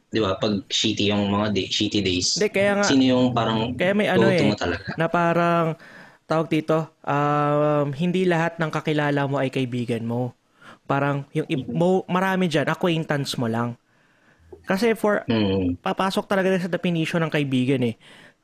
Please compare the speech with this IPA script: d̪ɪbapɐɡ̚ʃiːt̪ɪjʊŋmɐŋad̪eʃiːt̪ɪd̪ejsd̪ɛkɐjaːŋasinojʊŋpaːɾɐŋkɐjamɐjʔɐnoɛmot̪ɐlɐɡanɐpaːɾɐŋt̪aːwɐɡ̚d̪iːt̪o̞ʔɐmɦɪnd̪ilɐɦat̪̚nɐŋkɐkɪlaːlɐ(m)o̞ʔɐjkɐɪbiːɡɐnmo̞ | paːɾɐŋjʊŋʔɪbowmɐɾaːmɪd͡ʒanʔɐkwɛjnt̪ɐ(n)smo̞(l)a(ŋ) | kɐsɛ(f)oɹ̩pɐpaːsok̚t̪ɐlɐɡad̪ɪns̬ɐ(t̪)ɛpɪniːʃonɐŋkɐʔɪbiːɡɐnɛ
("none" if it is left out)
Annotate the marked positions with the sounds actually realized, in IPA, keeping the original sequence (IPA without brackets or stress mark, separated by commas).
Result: m, n, l, ŋ, f, d̪